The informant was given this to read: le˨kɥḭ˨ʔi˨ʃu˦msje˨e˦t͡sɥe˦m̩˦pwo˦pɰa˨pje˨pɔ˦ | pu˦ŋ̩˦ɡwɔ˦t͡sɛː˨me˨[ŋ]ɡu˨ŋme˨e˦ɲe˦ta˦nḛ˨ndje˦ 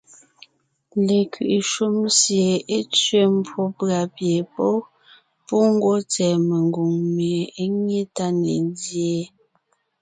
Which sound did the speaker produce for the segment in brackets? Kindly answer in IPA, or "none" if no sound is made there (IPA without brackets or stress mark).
ŋ